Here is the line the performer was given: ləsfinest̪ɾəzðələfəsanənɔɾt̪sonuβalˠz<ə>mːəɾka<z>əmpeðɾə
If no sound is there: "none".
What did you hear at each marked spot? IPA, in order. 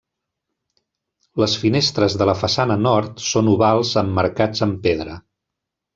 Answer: ə, d͡z

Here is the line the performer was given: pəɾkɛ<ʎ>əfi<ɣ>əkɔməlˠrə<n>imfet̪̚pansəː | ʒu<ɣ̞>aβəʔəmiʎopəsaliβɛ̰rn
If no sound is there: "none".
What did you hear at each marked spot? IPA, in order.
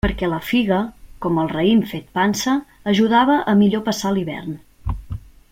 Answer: l, ɣ, none, ð̞

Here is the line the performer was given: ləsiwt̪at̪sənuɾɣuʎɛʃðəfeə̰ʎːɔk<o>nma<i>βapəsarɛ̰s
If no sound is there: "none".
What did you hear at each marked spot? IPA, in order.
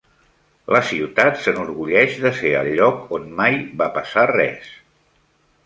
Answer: o, j

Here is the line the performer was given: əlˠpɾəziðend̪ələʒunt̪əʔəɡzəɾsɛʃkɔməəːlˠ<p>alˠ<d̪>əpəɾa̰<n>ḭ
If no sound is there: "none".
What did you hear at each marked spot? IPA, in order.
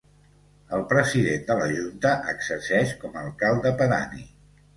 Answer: k, d̪, n

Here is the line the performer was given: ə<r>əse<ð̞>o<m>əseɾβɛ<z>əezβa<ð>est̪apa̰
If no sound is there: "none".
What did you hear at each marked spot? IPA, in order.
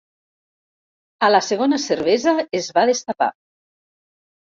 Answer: l, ɣ̞, n, z, ð

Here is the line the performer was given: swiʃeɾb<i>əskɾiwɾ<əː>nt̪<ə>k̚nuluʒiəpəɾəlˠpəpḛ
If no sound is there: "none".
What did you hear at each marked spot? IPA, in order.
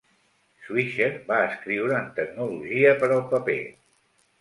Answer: a, əː, ə

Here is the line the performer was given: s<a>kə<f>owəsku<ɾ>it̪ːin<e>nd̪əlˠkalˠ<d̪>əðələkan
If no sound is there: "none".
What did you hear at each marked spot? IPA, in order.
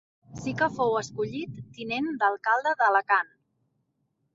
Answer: i, f, ʎ, e, d̪

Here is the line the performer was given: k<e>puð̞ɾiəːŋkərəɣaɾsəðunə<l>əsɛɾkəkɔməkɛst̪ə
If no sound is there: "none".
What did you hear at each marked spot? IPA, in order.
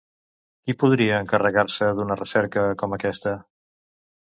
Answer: i, r

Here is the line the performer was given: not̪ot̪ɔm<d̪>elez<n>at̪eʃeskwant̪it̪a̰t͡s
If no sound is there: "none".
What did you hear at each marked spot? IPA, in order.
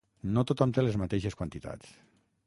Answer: t̪, m

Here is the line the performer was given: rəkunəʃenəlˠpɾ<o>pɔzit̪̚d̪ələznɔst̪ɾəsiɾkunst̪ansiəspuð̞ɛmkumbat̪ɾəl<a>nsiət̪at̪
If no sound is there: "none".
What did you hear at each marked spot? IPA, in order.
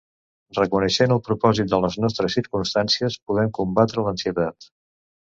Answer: u, ə

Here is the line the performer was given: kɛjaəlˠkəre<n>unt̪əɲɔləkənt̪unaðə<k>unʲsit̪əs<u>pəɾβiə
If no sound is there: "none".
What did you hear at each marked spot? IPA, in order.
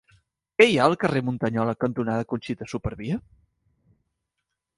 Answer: m, k, u

